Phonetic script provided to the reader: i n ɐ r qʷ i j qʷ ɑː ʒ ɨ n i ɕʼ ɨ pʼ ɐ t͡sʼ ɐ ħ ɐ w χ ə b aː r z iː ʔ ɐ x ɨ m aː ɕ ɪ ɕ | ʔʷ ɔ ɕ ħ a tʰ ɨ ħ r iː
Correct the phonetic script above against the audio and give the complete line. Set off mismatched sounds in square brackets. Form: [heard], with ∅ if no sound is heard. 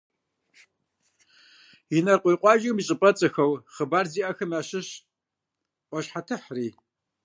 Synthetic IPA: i n ɐ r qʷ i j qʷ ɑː ʒ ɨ [m] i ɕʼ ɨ pʼ ɐ t͡sʼ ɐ [x] ɐ w χ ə b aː r z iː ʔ ɐ x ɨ m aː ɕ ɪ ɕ | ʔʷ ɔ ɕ ħ a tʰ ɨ ħ r iː